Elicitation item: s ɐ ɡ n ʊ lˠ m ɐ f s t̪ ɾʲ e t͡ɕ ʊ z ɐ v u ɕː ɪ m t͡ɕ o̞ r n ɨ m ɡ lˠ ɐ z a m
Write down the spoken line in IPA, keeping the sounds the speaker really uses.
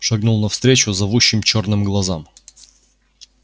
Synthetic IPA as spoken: ʂ ɐ ɡ n u lˠ n ɐ f s t̪ ɾʲ e t͡ɕ ʊ z ɐ v u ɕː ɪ m t͡ɕ o̞ r n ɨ m ɡ lˠ ɐ z a m